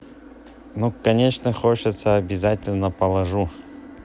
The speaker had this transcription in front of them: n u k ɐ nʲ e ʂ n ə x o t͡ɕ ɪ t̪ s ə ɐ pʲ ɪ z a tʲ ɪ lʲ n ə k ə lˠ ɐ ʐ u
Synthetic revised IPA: n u k ɐ nʲ e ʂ n ə x o t͡ɕ ɪ t̪ s ə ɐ bʲ ɪ z a tʲ ɪ lʲ n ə p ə lˠ ɐ ʐ u